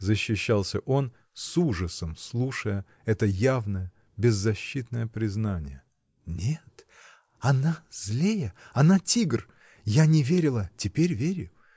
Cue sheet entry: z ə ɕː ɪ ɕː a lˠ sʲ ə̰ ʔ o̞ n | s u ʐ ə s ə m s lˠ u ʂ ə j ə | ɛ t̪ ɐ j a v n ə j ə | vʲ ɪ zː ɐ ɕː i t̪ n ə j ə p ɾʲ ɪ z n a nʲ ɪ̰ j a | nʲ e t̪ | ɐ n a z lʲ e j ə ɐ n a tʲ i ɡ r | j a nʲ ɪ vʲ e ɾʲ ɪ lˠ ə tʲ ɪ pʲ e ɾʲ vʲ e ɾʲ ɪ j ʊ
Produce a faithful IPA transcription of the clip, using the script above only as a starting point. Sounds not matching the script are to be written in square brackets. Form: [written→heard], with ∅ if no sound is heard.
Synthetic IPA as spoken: z ə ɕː ɪ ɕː a lˠ sʲ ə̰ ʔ o̞ n | s u ʐ ə s ə m s lˠ u ʂ ə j ə | ɛ t̪ [ɐ→ə] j a v n ə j ə | [vʲ→bʲ] ɪ zː ɐ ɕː i t̪ n ə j ə p ɾʲ ɪ z n a nʲ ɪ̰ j [a→ə] | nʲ e t̪ | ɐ n a z lʲ e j ə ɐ n a tʲ i ɡ r | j a nʲ ɪ vʲ e ɾʲ ɪ lˠ ə tʲ ɪ pʲ e ɾʲ vʲ e ɾʲ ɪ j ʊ